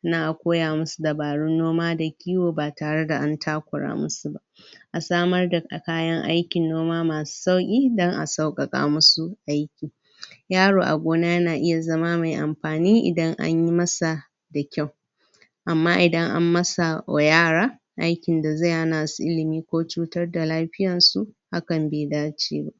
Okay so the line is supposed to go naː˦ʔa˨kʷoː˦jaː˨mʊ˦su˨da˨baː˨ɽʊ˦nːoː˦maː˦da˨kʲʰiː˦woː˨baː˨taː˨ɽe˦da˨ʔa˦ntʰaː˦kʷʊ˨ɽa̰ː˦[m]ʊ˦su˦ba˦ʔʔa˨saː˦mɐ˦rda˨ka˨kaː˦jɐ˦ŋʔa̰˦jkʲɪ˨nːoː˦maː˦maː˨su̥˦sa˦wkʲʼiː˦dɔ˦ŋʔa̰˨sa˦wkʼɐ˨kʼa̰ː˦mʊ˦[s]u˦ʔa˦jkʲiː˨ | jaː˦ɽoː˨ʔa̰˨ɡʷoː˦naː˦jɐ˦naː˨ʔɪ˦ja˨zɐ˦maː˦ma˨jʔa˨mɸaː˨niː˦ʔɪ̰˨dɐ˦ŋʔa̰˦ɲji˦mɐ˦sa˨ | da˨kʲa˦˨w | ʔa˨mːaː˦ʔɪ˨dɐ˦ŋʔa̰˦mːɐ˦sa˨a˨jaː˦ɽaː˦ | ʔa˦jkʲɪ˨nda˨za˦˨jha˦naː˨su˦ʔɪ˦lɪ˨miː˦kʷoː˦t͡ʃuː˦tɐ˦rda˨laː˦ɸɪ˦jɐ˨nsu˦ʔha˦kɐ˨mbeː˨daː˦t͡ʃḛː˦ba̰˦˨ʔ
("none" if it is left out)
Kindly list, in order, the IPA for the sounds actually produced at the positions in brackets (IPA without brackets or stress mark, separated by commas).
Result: m, s